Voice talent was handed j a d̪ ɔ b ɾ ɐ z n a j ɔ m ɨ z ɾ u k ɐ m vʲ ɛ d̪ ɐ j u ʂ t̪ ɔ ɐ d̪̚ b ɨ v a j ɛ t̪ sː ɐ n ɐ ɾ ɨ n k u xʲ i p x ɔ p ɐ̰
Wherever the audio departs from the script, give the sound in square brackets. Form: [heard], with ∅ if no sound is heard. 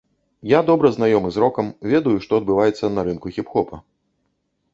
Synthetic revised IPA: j a d̪ ɔ b ɾ ɐ z n a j ɔ m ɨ z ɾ [ɔ] k ɐ m vʲ ɛ d̪ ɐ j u ʂ t̪ ɔ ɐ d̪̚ b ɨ v a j ɛ t̪ sː ɐ n ɐ ɾ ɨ n k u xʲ i p x ɔ p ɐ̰